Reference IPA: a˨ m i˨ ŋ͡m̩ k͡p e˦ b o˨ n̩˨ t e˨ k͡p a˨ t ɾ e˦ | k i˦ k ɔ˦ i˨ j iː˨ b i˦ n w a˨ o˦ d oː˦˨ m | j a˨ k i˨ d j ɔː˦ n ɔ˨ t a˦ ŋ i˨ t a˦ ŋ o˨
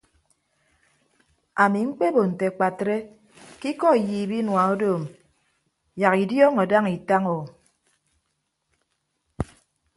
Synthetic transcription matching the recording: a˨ m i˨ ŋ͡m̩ k͡p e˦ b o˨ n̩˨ t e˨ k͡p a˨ t ɾ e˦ | k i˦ k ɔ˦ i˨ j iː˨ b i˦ n w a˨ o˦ d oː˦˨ m | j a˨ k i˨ d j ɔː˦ ŋ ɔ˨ d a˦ ŋ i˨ t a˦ ŋ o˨

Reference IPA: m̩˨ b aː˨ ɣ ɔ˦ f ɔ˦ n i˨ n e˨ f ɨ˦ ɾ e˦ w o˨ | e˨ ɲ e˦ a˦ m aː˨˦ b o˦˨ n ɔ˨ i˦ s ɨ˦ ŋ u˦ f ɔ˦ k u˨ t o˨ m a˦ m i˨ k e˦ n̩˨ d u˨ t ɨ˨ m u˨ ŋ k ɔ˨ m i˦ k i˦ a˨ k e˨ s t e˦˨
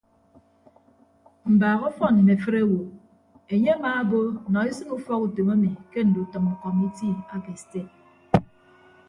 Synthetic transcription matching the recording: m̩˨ b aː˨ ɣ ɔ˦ f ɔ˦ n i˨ n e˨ f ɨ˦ ɾ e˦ w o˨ | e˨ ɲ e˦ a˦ m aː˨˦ b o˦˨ n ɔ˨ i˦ s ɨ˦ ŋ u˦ f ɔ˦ k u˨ t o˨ m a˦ m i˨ k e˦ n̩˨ d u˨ t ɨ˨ m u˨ k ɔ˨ m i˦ t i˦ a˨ k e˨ s t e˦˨

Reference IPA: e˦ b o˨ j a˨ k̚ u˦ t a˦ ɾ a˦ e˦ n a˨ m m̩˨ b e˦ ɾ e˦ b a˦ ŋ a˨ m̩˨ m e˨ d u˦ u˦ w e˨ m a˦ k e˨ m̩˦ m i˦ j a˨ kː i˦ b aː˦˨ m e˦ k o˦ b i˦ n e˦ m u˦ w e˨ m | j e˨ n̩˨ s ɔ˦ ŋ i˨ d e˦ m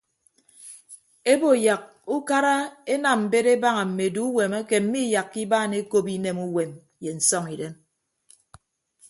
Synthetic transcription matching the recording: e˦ b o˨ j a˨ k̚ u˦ k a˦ ɾ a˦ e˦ n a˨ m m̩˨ b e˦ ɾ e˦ b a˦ ŋ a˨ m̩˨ m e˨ d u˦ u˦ w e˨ m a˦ k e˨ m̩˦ m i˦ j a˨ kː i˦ b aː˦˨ n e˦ k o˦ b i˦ n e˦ m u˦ w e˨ m | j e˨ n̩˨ s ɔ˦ ŋ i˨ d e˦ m

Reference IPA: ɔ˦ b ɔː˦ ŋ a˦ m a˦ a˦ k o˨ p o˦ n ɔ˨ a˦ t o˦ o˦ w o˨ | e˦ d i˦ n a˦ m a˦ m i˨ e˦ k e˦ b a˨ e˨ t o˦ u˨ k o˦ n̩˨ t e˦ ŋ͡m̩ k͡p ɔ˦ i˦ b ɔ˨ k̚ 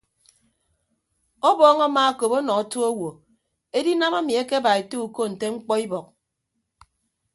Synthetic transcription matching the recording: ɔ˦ b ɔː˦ ŋ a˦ m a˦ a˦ k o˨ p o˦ n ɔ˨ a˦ t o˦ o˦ w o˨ | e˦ d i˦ n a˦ m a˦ m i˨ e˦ k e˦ b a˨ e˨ t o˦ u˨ k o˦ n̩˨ t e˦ ŋ͡m̩ k͡p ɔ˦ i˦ b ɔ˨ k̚

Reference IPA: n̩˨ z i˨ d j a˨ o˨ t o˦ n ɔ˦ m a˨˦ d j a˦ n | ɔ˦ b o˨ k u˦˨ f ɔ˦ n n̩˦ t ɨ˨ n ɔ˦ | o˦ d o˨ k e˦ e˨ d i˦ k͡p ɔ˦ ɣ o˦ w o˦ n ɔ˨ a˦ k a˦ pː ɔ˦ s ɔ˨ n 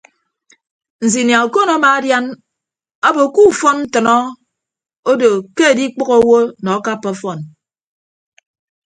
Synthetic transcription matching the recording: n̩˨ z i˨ n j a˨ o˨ k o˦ n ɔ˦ m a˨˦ d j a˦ n | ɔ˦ b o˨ k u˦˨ f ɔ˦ n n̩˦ t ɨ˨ n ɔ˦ | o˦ d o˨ k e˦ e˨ d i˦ k͡p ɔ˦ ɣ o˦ w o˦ n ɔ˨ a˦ k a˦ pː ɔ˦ f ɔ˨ n

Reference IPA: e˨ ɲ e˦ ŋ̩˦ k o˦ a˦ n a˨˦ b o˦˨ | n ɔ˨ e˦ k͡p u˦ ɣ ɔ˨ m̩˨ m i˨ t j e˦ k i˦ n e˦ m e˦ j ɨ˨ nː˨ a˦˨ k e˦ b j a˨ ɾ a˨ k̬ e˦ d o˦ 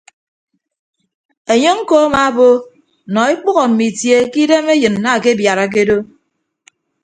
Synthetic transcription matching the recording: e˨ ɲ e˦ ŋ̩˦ k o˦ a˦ m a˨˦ b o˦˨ | n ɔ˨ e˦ k͡p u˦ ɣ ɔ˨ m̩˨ m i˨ t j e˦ k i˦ d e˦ m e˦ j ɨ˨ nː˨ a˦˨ k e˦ b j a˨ ɾ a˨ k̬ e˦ d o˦

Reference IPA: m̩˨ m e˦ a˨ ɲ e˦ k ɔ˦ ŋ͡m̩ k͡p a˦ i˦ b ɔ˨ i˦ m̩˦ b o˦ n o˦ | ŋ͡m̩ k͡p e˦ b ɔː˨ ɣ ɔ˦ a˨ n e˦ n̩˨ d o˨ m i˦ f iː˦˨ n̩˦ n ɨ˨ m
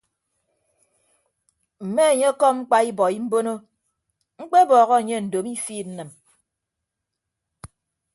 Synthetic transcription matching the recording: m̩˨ m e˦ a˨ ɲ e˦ k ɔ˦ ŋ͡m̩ k͡p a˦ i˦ b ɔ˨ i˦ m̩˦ b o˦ n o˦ | ŋ͡m̩ k͡p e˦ b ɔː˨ ɣ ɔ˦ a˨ ɲ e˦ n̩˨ d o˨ m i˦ f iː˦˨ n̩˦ n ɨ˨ m

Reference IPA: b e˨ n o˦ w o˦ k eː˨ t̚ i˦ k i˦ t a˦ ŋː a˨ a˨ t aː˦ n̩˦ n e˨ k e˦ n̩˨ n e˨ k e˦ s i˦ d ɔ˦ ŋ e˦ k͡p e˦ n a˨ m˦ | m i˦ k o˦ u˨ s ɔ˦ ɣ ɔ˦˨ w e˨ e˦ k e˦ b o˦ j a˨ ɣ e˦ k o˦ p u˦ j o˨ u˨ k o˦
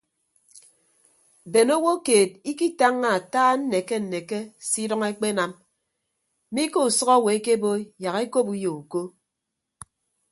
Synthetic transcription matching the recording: b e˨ n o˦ w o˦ k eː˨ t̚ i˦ k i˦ t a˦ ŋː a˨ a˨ t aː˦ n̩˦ n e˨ k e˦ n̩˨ n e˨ k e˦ s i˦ d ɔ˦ ŋ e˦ k͡p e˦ n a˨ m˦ | m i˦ k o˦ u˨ s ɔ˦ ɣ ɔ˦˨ w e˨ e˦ k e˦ b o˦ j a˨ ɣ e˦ k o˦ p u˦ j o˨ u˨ k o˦

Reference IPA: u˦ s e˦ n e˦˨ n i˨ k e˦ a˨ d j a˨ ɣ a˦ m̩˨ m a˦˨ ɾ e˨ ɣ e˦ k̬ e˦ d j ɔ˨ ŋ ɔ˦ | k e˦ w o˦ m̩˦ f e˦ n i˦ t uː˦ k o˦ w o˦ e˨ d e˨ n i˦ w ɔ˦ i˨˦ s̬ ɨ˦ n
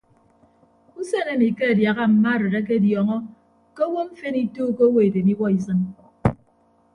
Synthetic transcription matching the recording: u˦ s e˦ n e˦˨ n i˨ k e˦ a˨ d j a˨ ɣ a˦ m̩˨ m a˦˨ ɾ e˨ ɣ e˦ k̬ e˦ d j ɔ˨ ŋ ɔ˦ | k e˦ w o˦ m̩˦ f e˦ n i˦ t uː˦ k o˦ w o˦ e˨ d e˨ n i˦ w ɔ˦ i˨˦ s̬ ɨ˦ n

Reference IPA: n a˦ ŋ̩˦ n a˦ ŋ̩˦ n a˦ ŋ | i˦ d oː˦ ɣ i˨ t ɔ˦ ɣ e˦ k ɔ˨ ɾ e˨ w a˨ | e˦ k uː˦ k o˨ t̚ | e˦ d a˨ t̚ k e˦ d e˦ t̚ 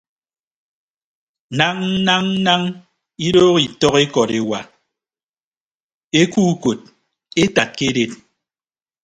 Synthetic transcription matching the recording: n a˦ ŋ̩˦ n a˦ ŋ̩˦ n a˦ ŋ | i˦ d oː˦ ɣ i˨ t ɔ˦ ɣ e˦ k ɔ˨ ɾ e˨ w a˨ | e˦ k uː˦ k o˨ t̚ | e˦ t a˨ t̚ k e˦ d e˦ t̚

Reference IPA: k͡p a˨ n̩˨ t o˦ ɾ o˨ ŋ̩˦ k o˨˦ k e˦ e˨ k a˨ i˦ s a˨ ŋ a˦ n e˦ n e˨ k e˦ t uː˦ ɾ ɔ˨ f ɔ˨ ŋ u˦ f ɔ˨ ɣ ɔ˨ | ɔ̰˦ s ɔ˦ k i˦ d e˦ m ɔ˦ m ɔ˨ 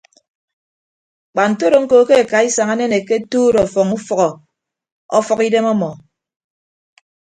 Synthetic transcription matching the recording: k͡p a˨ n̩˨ t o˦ ɾ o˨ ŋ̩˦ k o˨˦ k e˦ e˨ k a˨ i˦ s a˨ ŋ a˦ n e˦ n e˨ k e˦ t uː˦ ɾ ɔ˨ f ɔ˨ ŋ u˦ f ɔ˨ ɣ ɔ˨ | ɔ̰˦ f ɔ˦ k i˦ d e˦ m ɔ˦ m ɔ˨

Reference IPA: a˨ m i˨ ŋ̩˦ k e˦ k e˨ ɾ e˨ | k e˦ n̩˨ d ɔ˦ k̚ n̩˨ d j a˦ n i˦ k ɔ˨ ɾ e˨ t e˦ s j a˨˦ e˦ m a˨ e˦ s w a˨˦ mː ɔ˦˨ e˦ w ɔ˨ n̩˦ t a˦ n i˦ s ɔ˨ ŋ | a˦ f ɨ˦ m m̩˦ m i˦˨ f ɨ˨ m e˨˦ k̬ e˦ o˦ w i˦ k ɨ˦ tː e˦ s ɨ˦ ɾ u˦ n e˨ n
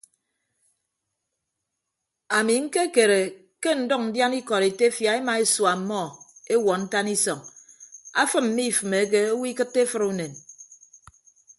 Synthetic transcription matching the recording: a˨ m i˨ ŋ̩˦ k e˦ k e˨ ɾ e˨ | k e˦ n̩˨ d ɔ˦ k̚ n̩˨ d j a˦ n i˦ k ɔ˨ ɾ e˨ t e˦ f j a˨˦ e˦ m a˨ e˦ s w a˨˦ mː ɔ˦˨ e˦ w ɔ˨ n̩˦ t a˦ n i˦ s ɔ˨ ŋ | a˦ f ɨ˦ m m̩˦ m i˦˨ f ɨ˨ m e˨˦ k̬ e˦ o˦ w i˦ k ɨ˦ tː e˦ f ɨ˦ ɾ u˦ n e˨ n

